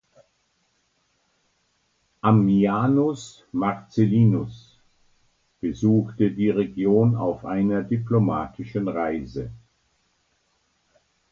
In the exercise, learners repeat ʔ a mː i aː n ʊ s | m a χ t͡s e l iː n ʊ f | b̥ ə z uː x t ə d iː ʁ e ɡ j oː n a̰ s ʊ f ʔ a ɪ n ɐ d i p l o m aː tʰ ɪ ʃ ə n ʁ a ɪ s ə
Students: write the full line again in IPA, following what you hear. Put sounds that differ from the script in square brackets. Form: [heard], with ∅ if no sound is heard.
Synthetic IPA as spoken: ʔ a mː i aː n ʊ s | m a [ʁ] t͡s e l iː n ʊ [s] | b̥ ə z uː x t ə d iː ʁ e ɡ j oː n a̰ [∅] ʊ f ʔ a ɪ n ɐ d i p l o m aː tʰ ɪ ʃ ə n ʁ a ɪ [z] ə

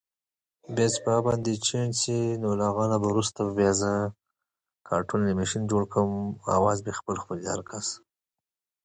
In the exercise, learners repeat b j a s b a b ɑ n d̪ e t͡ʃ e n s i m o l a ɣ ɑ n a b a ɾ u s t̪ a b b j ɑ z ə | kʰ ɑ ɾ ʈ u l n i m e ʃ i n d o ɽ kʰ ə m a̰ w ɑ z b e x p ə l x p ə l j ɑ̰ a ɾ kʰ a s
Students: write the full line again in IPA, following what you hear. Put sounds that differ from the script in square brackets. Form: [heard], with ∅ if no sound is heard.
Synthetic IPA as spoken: b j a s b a b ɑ n d̪ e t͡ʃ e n s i [n] o l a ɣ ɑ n a b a ɾ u s t̪ a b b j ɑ z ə | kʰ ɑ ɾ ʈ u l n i m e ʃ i n [d͡ʒ] o ɽ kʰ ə m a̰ w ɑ z b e x p ə l x p ə l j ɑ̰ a ɾ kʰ a s

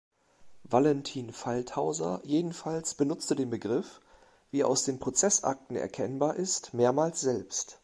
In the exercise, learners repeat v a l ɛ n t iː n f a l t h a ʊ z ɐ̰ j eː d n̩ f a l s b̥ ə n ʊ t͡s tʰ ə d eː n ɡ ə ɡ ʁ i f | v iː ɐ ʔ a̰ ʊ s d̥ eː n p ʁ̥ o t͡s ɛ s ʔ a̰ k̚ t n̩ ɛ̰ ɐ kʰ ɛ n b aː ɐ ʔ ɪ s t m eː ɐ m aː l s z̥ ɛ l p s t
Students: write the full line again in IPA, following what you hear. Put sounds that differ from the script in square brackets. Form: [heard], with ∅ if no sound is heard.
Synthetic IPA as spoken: v a l ɛ n [tʰ] iː n f a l t h a ʊ z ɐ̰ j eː d n̩ f a l s b̥ ə n ʊ t͡s [t] ə d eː n [b] ə ɡ ʁ [ɪ] f | v iː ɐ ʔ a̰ ʊ s d̥ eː n p ʁ̥ o t͡s ɛ s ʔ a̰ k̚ t n̩ ɛ̰ ɐ kʰ ɛ n b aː ɐ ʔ ɪ s t m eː ɐ m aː l s z̥ ɛ l p s t

